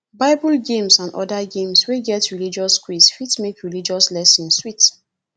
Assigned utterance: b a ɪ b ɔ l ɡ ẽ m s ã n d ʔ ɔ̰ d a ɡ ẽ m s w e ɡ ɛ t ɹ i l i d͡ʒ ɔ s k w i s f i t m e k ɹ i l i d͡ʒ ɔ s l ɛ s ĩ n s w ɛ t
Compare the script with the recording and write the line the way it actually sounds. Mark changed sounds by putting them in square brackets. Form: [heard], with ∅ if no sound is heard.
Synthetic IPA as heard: b a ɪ b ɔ l ɡ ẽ m s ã n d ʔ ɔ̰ d a ɡ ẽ m s w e ɡ ɛ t ɹ i l i d͡ʒ ɔ s k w i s f i t m e k ɹ i l i d͡ʒ ɔ s l ɛ s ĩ n s w [i] t